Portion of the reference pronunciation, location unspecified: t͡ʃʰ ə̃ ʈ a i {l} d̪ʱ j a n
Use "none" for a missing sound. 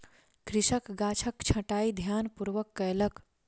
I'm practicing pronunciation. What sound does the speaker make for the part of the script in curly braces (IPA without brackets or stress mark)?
none